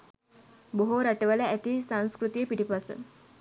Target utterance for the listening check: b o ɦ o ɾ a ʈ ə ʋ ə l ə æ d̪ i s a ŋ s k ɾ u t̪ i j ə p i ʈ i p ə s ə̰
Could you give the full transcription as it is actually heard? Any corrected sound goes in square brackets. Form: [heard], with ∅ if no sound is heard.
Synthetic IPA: b o ɦ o ɾ a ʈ ə ʋ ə l ə æ [t̪] i s a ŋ s k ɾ u t̪ i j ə p i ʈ i p [a] s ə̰